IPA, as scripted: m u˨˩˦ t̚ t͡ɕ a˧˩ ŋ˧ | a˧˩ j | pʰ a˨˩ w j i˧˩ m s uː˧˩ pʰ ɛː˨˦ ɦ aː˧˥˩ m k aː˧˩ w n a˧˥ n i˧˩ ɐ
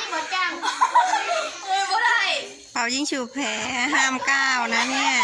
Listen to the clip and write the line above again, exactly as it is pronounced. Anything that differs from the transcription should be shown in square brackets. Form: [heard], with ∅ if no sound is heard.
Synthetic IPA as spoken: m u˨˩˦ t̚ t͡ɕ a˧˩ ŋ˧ | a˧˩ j | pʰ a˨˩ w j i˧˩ [ŋ] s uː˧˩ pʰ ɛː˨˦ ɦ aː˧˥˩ m k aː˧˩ w n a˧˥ n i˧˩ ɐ